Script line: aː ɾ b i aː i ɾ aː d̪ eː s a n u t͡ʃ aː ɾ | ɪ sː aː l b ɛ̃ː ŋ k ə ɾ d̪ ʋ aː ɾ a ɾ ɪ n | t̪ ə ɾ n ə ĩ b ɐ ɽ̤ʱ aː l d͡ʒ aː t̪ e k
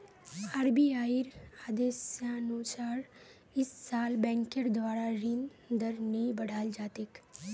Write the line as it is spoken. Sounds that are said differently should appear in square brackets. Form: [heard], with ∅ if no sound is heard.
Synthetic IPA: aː ɾ b i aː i ɾ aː d̪ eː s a n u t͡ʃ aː ɾ | ɪ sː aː l b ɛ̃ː ŋ k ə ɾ d̪ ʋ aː ɾ a ɾ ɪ n | [d̪] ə ɾ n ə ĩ b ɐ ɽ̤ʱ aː l d͡ʒ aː t̪ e k